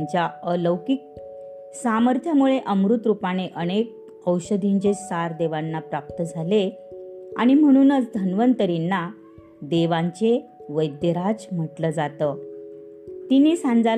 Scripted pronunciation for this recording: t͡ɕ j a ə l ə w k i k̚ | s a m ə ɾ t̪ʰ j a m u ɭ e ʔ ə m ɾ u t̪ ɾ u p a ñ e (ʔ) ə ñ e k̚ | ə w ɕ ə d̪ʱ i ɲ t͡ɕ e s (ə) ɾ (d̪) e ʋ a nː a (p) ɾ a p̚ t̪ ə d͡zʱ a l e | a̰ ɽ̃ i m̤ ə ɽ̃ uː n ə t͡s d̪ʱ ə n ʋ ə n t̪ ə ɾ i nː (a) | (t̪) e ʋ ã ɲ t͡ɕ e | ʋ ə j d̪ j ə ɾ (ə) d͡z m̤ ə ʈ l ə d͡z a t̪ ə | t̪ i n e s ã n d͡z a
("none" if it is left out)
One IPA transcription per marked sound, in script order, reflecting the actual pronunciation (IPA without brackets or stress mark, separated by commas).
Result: ʔ, a, d̪, p, a, d̪, a